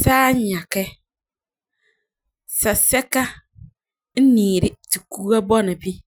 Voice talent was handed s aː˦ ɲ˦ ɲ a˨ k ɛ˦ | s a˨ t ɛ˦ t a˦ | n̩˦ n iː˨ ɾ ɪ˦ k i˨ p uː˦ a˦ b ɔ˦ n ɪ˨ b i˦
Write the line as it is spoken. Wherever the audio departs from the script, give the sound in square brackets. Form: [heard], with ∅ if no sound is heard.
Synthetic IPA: s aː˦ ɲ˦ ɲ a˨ k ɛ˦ | s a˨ [s] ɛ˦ [k] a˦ | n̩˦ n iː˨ ɾ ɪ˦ [t] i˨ [k] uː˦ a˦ b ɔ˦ n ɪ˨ b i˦

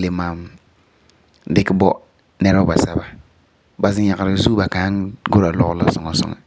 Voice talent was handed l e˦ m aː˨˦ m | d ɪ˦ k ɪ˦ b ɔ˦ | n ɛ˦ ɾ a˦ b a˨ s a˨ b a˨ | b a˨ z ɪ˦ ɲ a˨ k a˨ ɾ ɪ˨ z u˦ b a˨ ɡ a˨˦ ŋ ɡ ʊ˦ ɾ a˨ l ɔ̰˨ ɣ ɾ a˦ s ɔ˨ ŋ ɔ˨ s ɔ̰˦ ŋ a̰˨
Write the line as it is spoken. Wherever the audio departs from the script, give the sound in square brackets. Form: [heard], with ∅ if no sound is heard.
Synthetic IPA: l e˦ m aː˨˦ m | d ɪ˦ k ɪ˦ b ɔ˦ | n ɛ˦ ɾ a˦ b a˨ s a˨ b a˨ | b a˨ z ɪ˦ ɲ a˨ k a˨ ɾ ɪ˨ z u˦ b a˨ [k] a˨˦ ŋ ɡ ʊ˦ ɾ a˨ l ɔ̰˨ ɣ [l] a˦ s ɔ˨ ŋ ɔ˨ s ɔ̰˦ ŋ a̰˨

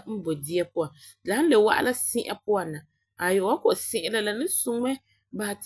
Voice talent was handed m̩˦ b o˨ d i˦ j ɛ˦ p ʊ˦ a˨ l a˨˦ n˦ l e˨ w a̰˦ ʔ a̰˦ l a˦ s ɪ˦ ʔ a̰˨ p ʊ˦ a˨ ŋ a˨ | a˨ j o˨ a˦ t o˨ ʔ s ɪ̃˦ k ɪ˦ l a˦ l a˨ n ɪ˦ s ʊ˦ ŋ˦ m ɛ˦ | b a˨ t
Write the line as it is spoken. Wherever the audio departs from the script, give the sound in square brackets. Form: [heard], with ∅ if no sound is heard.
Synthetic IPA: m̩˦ b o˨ d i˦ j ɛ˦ p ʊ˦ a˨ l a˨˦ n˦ l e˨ w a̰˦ ʔ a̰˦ l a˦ s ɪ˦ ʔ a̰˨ p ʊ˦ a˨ [n] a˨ | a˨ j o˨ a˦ [k] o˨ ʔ s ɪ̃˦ [ʔ] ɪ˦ l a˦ l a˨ n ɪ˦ s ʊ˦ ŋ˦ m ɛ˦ | b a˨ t

